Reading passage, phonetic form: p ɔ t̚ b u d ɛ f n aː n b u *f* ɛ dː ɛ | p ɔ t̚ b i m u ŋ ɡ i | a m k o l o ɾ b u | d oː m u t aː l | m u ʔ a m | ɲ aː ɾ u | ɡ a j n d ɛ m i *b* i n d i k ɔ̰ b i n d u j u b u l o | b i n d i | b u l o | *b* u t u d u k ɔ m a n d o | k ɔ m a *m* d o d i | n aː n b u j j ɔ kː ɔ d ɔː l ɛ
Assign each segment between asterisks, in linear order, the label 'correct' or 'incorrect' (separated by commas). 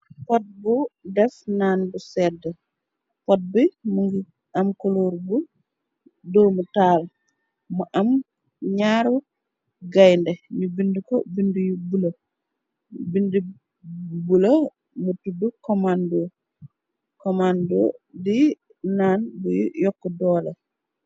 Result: incorrect, correct, incorrect, incorrect